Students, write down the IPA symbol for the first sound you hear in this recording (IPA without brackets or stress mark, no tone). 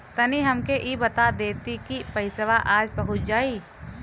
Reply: t̪